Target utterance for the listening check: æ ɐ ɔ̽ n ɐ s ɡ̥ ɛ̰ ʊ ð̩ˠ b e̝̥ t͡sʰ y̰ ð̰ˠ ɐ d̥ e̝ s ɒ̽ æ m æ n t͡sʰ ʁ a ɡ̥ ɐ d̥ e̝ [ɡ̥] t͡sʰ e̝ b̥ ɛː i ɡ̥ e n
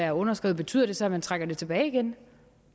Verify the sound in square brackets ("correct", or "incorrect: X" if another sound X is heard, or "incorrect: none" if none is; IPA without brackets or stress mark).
incorrect: none